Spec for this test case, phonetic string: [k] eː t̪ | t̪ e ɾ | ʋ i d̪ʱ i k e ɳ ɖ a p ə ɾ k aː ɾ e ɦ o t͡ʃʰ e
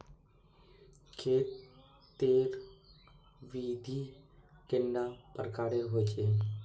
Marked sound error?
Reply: yes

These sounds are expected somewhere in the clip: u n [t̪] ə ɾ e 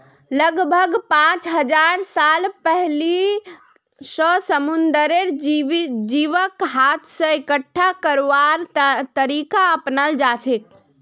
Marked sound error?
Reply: yes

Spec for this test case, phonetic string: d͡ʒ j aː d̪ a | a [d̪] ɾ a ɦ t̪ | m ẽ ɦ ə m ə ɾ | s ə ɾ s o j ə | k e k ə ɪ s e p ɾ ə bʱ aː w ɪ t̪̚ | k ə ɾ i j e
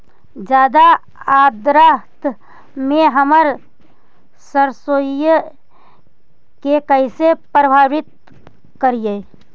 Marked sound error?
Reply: no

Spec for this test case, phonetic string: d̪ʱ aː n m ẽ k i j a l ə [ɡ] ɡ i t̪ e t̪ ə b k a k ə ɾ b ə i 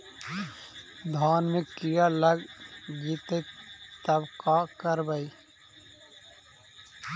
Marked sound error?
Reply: no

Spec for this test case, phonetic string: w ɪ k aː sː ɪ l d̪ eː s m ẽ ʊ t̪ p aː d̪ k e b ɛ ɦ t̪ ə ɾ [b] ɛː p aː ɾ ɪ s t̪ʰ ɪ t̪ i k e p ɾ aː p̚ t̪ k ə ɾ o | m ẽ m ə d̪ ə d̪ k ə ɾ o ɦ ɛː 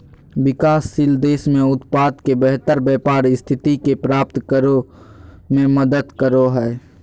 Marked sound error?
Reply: no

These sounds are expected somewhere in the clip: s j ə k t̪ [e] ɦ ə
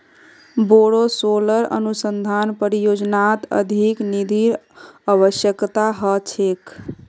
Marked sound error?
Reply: yes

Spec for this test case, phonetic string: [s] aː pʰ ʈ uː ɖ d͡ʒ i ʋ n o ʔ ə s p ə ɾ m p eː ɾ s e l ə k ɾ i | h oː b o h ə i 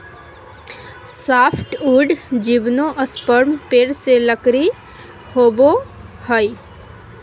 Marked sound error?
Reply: no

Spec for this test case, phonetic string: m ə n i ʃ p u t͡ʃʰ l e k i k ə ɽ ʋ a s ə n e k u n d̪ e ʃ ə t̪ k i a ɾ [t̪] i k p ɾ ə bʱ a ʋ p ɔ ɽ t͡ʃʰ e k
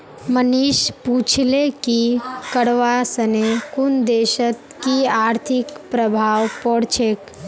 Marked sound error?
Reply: yes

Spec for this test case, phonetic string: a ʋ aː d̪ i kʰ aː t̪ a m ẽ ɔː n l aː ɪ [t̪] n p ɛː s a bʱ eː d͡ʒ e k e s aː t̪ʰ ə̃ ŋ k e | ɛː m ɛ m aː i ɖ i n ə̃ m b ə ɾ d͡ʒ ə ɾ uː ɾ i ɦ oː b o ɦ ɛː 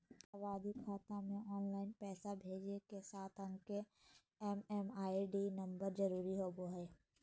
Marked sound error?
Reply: yes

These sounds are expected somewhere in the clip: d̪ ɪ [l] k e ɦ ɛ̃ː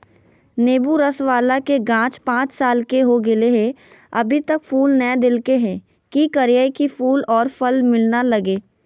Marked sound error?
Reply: no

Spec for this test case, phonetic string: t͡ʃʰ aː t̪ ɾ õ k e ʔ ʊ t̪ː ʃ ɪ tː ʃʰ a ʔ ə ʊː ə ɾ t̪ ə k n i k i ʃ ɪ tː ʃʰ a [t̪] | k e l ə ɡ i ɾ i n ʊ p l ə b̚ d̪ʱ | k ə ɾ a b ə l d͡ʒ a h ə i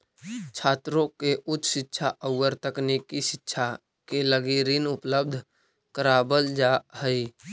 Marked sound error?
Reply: yes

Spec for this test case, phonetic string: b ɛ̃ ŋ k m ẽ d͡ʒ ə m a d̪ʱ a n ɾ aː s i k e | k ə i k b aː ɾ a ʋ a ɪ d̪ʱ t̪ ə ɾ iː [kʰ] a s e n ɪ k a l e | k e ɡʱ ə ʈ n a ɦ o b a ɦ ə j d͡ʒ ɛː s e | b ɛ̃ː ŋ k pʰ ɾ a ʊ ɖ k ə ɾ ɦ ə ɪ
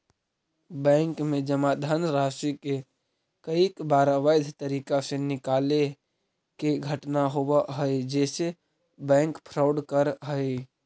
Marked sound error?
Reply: yes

